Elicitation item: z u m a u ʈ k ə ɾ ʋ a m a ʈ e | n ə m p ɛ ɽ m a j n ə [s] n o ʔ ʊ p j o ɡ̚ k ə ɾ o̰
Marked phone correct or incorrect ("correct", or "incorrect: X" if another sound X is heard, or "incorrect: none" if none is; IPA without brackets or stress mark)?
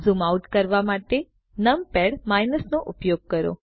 correct